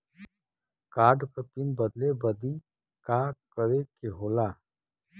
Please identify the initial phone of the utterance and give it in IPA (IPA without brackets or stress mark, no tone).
k